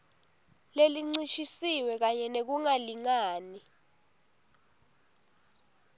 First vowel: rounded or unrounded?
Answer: unrounded